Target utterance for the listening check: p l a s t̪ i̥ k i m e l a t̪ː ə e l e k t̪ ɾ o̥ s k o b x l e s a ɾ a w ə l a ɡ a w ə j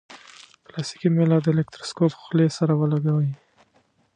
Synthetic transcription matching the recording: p l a s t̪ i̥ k i m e l a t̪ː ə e l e k t̪ ɾ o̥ s k o p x l e s a ɾ a w ə l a ɡ a w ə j